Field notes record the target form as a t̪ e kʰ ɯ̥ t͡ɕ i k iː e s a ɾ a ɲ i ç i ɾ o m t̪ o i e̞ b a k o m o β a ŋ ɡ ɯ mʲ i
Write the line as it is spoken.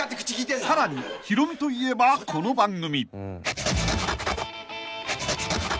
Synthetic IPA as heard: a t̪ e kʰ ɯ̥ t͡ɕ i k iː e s a ɾ a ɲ i ç i ɾ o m t̪ o i e̞ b a k o n o b a ŋ ɡ ɯ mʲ i